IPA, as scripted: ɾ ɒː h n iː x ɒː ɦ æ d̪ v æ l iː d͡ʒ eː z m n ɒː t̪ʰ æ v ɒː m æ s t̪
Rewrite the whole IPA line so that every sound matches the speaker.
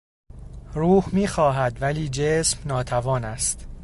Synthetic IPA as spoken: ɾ uː h m iː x ɒː ɦ æ d̪ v æ l iː d͡ʒ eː s m n ɒː t̪ʰ æ v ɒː n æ s t̪